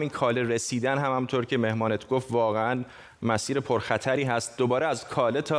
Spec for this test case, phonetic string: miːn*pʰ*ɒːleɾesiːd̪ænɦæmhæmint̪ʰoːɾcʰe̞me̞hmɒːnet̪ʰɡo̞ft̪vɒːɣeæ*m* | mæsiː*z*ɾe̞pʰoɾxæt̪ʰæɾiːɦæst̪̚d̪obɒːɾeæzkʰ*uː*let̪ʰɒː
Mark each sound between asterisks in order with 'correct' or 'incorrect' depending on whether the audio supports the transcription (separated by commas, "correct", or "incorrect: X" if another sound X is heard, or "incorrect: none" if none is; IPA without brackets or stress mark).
incorrect: kʰ, incorrect: n, incorrect: none, incorrect: ɒː